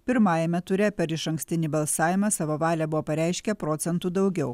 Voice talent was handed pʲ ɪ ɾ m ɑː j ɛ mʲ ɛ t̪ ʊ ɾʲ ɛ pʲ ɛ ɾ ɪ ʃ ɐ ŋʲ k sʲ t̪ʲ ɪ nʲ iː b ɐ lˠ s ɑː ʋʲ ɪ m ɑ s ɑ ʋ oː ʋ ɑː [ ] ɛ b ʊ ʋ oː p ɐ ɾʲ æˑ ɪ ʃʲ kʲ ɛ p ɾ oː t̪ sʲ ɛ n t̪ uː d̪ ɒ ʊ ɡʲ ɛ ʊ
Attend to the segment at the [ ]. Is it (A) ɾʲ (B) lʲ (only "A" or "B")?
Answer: B